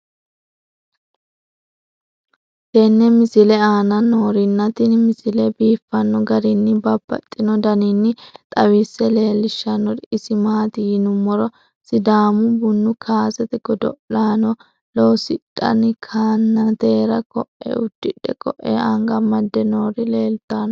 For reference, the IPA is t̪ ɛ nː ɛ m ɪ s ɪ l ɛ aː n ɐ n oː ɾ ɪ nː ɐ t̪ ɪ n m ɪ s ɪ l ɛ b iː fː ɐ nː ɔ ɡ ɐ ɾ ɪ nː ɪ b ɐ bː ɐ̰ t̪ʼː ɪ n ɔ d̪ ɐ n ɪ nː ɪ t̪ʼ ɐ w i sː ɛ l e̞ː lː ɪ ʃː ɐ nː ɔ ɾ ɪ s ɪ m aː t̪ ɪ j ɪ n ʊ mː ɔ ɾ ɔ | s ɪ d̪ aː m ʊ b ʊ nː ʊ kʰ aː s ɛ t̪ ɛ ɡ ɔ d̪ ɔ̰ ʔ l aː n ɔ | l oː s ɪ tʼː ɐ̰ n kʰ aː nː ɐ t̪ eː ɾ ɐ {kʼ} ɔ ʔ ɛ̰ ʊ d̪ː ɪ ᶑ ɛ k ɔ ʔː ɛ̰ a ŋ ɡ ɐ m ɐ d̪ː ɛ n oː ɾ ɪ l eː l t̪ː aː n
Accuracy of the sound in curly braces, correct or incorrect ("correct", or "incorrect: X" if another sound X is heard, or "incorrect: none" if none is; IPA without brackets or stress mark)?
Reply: incorrect: k